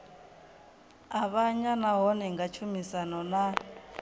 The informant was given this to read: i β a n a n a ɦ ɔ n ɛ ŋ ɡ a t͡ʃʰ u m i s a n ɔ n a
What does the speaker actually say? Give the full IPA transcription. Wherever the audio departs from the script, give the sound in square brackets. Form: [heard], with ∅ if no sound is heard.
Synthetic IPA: [a] β a [ɲ] a n a ɦ ɔ n ɛ ŋ ɡ a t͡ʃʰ u m i s a n ɔ n a